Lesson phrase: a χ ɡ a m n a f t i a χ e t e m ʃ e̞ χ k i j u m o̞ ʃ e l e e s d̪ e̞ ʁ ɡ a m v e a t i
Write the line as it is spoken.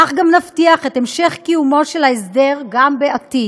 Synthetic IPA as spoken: a χ ɡ a m n a f t i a χ e t e m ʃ e̞ χ k i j u m o̞ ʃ e l a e s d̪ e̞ ʁ ɡ a m b e a t i